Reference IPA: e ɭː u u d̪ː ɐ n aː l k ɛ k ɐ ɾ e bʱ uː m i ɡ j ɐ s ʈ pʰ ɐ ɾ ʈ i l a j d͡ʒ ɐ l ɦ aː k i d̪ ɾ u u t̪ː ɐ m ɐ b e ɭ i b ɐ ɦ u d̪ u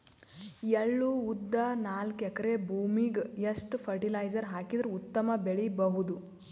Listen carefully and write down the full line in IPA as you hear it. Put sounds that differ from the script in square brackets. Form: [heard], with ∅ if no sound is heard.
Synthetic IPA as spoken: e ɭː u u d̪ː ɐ n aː l k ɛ k ɐ ɾ e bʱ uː m i ɡ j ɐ s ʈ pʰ ɐ ɾ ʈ i l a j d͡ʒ ɐ [ɾ] ɦ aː k i d̪ ɾ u u t̪ː ɐ m ɐ b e ɭ i b ɐ ɦ u d̪ u

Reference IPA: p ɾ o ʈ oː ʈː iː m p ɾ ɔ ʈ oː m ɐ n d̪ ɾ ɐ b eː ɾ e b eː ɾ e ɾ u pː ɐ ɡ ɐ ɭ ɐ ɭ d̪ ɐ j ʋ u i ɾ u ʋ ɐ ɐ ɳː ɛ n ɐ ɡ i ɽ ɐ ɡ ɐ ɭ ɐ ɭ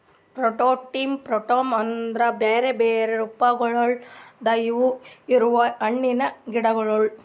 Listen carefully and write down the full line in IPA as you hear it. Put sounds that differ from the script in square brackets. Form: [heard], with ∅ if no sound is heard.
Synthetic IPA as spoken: p ɾ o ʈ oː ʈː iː m p ɾ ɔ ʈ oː m ɐ n d̪ ɾ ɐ b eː ɾ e b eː ɾ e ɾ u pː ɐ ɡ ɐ ɭ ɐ ɭ d̪ ɐ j ʋ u i ɾ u ʋ ɐ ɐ ɳː [i] n ɐ ɡ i ɽ ɐ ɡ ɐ ɭ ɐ ɭ

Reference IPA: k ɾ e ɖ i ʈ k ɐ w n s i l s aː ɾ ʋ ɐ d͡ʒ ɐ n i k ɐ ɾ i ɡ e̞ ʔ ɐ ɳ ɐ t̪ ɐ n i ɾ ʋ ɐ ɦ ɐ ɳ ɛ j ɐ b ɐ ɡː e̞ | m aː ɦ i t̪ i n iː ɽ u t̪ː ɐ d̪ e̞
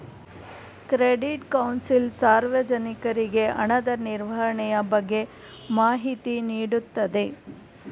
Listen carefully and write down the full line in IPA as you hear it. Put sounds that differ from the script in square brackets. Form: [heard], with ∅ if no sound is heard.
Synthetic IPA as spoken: k ɾ e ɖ i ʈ k ɐ w n s i l s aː ɾ ʋ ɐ d͡ʒ ɐ n i k ɐ ɾ i ɡ e̞ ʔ ɐ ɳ ɐ [d̪] ɐ n i ɾ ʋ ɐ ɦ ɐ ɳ ɛ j ɐ b ɐ ɡː e̞ | m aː ɦ i t̪ i n iː ɽ u t̪ː ɐ d̪ e̞

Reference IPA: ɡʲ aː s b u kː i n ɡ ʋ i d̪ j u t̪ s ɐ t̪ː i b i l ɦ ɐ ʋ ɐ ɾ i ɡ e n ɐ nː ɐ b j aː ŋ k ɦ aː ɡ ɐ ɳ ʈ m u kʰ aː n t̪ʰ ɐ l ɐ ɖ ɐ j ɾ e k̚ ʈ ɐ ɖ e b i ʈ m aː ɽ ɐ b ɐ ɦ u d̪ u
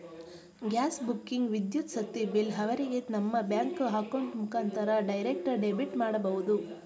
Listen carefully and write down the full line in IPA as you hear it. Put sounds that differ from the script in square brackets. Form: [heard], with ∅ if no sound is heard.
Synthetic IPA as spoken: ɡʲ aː s b u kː i [ŋ] ɡ ʋ i d̪ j u t̪ s ɐ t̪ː i b i l ɦ ɐ ʋ ɐ ɾ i ɡ e n ɐ [mː] ɐ b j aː ŋ k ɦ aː [k] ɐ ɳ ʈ m u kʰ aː n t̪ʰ ɐ [ɾ] ɐ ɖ ɐ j ɾ e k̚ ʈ ɐ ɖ e b i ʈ m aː ɽ ɐ b ɐ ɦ u d̪ u

